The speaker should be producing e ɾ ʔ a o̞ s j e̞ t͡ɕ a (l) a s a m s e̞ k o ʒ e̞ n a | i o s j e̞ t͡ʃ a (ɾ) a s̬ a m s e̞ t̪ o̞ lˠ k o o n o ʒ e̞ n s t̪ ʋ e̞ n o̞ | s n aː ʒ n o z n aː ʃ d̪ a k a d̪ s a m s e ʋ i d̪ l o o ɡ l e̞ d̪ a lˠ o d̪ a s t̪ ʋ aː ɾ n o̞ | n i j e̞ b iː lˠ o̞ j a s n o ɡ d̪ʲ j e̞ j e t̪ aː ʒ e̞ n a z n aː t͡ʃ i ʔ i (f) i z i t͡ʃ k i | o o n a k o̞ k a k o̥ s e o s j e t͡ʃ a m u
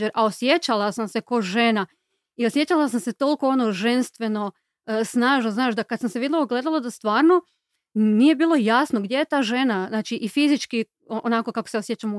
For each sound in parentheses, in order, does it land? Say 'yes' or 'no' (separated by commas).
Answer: yes, no, yes